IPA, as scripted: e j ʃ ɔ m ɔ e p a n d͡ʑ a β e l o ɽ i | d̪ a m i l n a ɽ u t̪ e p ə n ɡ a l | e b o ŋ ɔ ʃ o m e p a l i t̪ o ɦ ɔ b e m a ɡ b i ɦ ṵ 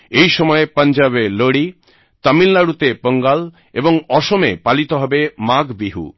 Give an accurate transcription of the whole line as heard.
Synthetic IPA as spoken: e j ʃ ɔ m ɔ e p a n d͡ʑ a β e l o ɽ i | t̪ a m i l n a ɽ u t̪ e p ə ŋ ɡ a l | e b o ŋ ɔ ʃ o m e p a l i t̪ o ɦ ɔ b e m a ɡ b i ɦ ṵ

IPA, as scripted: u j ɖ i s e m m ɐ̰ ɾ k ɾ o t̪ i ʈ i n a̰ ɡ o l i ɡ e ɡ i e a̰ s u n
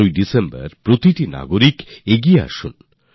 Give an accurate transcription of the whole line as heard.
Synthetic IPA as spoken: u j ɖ i s e m b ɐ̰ ɾ p ɾ o t̪ i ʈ i n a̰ ɡ o ɾ i k e ɡ i e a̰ ʃ u n

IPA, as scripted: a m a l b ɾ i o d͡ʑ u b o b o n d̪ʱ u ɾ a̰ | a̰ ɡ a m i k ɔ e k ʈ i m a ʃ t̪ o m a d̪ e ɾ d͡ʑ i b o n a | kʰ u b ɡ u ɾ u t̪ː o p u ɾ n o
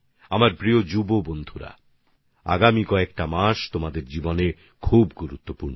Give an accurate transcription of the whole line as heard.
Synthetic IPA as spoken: a m a ɾ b ɾ i o d͡ʑ u b o b o n d̪ʱ u ɾ a̰ | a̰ ɡ a m i k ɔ e k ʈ a m a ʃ t̪ o m a d̪ e ɾ d͡ʑ i b o n e | kʰ u b ɡ u ɾ u t̪ː o p u ɾ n o

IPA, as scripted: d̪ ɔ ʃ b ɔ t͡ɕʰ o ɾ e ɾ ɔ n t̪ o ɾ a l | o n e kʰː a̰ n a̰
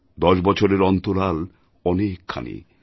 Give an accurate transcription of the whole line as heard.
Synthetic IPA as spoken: d̪ ɔ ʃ b ɔ t͡ɕʰ o ɾ e ɾ ɔ n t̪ o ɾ a l | ɔ n e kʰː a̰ n ḭ

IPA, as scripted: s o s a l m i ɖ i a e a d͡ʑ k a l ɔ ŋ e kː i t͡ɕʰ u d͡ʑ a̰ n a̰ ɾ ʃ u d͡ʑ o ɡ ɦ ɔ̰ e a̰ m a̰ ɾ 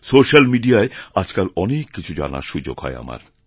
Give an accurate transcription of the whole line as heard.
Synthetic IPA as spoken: s o ʃ a l m i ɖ i a e a d͡ʑ k a l ɔ n e kː i t͡ɕʰ u d͡ʑ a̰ n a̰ ɾ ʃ u d͡ʑ o ɡ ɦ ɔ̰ e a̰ m a̰ ɾ

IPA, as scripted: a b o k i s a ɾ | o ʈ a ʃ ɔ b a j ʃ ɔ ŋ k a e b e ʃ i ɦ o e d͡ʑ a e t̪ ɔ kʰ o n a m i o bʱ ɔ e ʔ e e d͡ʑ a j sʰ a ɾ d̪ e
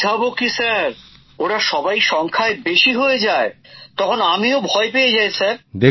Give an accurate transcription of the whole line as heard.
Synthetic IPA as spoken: a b o k i s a ɾ | o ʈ a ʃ ɔ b a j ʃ ɔ ŋ kʰ a e b e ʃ i ɦ o e d͡ʑ a e t̪ ɔ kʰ o n a m i o bʱ ɔ e p e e d͡ʑ a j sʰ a ɾ d̪ e

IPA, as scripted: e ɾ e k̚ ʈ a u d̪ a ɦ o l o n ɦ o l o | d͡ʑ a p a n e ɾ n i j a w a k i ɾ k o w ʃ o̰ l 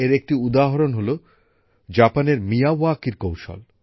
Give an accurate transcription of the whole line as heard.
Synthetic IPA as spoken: e ɾ e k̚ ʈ i u d̪ a ɦ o ɾ o n ɦ o l o | d͡ʑ a p a n e ɾ m i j a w a k i ɾ k o w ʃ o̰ l

